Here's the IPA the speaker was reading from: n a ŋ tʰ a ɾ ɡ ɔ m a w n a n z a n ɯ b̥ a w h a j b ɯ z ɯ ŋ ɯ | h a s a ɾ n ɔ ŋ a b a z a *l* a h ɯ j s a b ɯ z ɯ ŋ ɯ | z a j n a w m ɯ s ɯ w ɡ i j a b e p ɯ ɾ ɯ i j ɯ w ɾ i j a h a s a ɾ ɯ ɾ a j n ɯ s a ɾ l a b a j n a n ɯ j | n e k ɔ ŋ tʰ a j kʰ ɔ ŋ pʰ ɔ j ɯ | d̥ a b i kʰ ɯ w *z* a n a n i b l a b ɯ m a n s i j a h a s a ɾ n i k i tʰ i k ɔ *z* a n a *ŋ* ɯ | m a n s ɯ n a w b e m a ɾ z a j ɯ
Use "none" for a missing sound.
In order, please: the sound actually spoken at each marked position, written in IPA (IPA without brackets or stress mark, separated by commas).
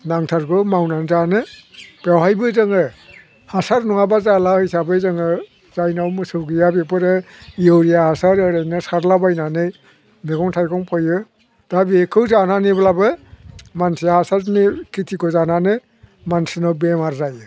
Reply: l, z, z, n